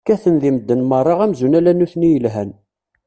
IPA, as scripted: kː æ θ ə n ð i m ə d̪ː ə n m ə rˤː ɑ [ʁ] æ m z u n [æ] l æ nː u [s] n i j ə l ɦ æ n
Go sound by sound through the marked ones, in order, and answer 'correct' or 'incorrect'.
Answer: correct, correct, incorrect: θ

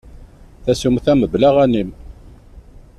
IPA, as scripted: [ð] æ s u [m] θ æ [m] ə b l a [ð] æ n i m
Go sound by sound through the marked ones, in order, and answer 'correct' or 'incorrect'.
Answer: incorrect: θ, correct, correct, incorrect: ʁ

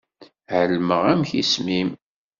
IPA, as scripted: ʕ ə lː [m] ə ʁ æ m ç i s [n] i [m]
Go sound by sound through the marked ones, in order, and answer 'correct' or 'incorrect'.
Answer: correct, incorrect: m, correct

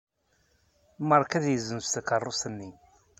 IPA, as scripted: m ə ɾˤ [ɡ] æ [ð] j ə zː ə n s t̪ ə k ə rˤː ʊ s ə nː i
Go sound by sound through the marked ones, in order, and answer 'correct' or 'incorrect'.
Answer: incorrect: k, correct

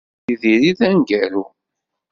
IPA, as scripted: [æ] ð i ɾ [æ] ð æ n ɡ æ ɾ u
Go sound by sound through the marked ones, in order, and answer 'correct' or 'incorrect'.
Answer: incorrect: i, incorrect: i

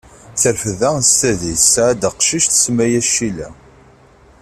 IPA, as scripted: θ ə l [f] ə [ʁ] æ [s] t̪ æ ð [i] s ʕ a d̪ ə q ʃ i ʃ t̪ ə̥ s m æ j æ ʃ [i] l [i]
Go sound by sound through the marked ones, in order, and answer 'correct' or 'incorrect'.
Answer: correct, incorrect: ð, correct, correct, correct, incorrect: æ

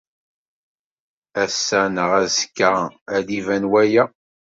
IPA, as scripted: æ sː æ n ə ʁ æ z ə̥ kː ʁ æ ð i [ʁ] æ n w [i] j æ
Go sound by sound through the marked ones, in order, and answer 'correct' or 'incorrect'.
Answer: incorrect: v, incorrect: æ

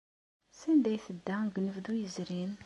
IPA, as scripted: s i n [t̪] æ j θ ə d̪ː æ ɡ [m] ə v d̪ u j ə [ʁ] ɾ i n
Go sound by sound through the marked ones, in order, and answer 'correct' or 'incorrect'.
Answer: incorrect: d̪, incorrect: n, incorrect: z

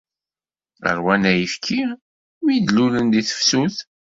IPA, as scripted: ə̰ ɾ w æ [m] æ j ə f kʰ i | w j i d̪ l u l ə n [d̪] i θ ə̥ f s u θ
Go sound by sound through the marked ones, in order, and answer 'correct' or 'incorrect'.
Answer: incorrect: n, correct

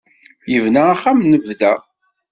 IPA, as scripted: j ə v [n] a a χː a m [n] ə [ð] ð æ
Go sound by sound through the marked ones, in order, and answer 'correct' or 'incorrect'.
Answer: correct, correct, incorrect: v

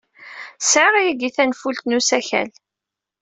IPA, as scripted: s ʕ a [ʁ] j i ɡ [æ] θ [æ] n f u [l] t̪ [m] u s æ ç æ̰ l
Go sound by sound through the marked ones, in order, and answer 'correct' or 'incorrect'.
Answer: correct, incorrect: i, correct, correct, incorrect: n

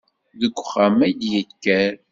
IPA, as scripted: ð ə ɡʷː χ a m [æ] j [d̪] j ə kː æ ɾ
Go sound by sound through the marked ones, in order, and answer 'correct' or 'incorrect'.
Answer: correct, correct

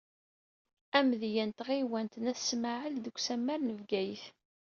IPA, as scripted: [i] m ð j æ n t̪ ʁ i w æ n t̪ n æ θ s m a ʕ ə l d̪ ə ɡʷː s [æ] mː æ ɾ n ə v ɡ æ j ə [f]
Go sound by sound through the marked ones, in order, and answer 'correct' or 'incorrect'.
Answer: incorrect: æ, correct, incorrect: θ

